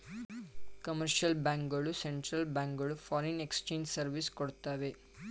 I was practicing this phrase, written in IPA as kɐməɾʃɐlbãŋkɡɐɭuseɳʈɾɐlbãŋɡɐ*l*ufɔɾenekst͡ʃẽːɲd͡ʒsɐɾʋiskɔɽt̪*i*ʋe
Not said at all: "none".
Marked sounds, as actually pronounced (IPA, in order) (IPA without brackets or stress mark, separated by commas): ɭ, a